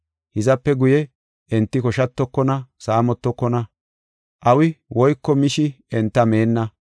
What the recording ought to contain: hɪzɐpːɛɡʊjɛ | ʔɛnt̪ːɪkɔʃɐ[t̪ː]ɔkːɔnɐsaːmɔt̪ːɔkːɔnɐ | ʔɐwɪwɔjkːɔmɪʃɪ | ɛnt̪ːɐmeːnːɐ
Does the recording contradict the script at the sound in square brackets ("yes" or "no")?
no